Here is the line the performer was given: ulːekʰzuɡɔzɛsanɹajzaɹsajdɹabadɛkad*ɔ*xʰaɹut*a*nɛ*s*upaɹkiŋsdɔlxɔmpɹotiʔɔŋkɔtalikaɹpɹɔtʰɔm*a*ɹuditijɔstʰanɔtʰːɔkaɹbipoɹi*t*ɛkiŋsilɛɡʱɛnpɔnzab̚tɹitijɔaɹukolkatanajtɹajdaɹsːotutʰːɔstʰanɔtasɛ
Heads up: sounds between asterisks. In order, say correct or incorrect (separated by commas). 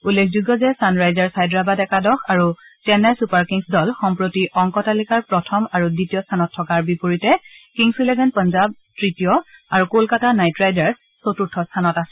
correct, incorrect, correct, correct, correct